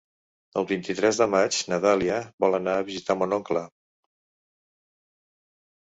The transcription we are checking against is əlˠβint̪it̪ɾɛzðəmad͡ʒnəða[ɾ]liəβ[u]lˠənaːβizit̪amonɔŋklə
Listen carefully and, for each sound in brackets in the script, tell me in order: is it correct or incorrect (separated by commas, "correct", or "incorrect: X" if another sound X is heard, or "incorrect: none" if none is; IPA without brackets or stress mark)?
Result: incorrect: none, incorrect: ɔ